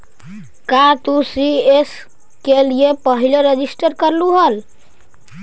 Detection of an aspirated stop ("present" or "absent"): absent